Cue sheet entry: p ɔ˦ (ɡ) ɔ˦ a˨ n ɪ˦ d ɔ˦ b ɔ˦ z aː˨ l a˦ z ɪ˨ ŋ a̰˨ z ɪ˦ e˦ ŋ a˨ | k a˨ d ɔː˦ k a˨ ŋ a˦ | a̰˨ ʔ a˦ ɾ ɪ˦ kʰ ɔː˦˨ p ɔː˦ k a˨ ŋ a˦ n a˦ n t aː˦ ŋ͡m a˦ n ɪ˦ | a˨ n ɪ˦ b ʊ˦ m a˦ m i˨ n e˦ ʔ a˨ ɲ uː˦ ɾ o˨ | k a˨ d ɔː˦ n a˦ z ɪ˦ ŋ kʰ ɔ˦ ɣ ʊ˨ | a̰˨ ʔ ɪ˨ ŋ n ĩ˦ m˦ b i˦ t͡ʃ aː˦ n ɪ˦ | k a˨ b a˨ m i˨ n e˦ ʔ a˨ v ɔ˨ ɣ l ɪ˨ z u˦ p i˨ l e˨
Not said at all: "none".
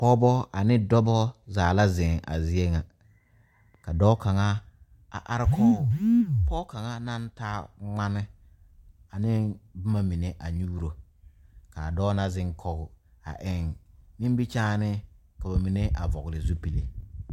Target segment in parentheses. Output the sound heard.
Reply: b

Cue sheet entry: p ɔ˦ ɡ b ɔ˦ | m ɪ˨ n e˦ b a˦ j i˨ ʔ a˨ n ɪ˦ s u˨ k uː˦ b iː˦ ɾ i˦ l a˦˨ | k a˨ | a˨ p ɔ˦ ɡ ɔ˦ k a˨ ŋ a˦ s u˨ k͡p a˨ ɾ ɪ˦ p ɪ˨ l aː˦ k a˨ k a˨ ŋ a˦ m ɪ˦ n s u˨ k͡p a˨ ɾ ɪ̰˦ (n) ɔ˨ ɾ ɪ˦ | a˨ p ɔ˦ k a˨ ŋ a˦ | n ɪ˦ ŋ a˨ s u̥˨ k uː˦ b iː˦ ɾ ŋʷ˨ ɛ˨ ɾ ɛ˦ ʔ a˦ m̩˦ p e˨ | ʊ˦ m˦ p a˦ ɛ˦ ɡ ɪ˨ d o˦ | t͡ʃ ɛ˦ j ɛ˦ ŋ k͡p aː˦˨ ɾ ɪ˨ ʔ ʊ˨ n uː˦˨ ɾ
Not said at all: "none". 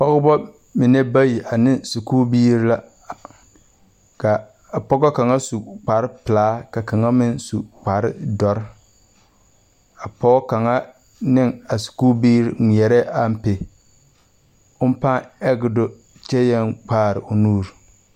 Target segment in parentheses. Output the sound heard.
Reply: d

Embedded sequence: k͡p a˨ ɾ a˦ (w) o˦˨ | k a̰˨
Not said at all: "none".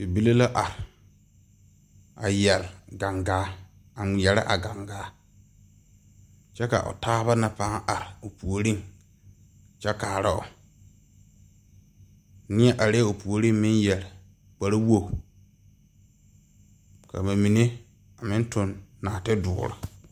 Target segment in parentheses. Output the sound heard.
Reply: w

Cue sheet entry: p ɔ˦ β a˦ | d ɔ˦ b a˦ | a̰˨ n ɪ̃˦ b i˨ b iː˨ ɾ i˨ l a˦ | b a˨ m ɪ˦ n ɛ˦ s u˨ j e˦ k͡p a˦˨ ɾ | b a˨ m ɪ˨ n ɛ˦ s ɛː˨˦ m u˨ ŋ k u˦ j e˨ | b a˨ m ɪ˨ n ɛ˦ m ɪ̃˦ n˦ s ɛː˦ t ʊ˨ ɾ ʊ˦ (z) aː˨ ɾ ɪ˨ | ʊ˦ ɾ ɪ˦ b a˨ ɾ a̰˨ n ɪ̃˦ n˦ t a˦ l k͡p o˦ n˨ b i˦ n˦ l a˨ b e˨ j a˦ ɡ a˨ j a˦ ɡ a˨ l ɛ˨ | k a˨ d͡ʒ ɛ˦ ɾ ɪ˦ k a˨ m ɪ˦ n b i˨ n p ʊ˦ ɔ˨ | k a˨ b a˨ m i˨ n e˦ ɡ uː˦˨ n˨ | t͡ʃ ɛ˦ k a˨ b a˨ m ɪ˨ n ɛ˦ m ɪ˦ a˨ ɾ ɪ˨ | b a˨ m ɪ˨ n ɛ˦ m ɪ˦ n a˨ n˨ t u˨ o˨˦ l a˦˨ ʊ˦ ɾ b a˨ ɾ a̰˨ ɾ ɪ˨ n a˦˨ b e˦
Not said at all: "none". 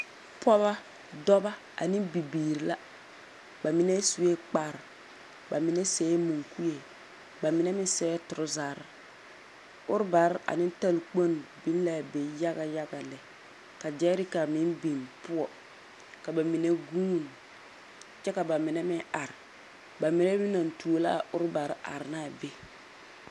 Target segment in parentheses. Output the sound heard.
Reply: z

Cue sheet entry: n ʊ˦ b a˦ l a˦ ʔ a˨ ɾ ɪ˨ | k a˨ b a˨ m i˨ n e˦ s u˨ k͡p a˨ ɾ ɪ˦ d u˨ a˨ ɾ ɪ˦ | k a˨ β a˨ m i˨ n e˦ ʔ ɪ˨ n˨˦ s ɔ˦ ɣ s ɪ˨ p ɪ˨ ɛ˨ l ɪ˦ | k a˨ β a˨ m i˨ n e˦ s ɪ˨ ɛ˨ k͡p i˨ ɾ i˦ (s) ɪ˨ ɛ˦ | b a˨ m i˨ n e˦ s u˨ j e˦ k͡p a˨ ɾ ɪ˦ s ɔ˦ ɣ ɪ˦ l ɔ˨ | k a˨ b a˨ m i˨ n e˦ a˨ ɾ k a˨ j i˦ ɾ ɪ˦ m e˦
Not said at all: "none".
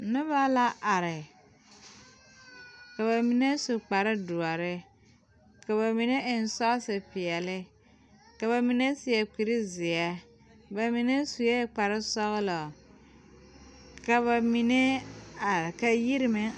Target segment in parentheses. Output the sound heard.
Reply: z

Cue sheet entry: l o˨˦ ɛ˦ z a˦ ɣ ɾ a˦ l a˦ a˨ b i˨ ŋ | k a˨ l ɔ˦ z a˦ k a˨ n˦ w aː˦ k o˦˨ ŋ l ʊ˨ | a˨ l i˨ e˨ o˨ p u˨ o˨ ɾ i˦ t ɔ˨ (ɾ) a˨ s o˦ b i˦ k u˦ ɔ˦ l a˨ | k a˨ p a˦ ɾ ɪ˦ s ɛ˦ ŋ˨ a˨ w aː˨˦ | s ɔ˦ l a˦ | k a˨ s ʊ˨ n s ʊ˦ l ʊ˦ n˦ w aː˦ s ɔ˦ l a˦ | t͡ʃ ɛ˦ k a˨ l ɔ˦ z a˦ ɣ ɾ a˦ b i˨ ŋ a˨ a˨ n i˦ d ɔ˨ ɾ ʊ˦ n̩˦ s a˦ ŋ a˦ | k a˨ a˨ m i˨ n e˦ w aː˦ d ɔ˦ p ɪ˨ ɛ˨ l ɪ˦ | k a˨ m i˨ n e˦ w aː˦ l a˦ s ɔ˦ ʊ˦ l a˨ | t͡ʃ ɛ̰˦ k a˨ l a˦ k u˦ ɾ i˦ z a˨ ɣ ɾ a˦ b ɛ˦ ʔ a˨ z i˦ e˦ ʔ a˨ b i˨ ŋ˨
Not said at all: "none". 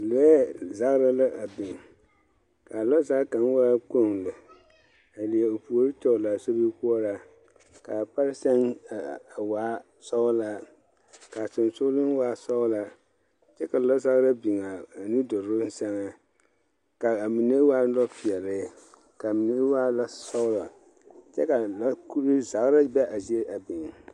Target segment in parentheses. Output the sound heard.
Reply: l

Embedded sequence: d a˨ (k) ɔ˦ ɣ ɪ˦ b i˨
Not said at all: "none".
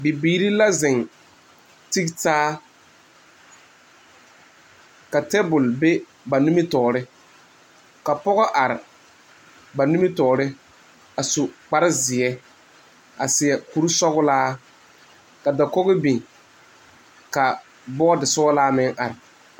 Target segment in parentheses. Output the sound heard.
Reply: k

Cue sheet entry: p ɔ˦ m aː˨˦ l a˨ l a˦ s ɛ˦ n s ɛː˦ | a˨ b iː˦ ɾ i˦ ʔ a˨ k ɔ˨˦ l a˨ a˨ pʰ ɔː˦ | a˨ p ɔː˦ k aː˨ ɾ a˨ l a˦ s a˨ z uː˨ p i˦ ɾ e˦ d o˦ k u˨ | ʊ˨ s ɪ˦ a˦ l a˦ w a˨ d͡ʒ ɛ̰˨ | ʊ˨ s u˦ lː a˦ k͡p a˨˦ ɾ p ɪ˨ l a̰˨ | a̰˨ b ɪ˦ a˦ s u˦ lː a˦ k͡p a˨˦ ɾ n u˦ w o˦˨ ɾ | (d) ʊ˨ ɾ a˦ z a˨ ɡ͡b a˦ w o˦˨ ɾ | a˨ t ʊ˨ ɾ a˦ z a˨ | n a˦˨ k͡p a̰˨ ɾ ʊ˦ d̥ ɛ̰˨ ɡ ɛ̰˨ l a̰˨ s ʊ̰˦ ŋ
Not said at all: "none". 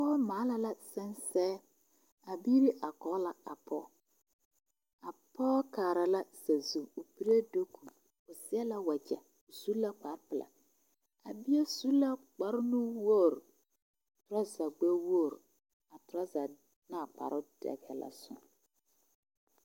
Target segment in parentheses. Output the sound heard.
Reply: t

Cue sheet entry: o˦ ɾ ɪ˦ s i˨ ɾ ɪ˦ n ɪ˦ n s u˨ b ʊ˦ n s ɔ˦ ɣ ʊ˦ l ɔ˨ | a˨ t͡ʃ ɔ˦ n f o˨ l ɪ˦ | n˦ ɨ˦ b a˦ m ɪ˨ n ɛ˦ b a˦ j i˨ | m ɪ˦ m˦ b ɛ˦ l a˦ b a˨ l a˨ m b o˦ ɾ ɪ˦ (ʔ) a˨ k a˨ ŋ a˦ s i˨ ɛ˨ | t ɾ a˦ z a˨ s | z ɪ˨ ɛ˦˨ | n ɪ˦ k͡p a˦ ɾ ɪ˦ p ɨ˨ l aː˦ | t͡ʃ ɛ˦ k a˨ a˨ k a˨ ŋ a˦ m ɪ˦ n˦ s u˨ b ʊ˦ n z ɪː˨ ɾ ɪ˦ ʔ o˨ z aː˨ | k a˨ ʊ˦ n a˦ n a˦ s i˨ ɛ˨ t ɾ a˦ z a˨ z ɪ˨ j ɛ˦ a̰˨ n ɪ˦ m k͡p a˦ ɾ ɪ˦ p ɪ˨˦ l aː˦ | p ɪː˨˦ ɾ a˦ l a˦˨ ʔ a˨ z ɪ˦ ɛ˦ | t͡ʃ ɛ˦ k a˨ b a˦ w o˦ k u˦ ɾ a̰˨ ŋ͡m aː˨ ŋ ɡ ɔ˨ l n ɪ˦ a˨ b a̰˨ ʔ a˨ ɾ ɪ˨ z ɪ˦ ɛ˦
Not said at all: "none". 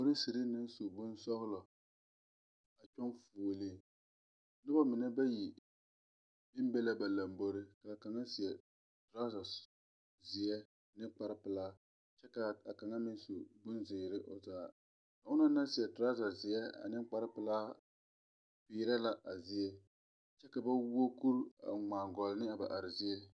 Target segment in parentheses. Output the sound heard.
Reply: k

